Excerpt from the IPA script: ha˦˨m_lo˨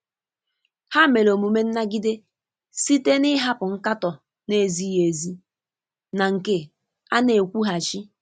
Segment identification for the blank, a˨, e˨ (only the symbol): e˨